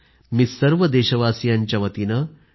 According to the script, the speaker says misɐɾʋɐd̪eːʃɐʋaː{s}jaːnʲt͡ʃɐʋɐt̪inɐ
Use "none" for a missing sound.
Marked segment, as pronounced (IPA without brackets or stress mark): s